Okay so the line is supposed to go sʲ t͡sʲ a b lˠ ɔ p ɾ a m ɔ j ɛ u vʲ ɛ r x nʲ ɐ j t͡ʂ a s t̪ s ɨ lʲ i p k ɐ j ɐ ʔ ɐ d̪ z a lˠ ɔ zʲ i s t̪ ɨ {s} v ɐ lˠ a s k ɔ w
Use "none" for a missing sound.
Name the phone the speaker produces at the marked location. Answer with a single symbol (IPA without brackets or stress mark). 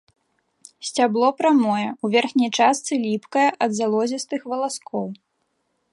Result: x